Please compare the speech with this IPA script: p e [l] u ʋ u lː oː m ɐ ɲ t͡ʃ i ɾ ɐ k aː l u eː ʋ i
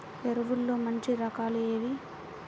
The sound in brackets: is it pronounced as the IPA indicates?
no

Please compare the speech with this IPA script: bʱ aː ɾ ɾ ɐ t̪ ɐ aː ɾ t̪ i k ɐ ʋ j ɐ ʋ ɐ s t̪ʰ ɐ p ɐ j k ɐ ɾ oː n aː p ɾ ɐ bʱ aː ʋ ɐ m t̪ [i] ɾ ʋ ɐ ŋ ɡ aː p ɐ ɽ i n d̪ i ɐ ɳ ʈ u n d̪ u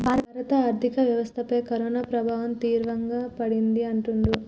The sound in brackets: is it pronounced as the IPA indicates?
no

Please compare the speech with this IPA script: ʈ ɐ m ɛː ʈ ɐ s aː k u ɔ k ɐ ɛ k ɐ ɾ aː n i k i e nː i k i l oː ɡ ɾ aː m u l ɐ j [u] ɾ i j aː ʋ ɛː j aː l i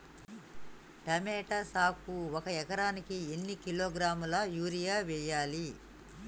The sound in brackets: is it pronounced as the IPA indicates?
no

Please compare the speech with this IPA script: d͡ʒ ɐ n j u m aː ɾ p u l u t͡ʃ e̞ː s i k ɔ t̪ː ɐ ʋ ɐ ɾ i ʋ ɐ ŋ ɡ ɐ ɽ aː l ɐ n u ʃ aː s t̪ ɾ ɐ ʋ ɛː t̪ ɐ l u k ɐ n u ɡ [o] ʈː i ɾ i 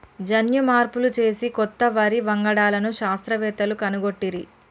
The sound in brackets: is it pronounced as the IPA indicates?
yes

